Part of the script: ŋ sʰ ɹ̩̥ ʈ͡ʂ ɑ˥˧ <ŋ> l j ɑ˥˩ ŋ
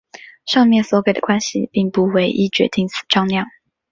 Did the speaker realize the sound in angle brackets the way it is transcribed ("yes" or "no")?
yes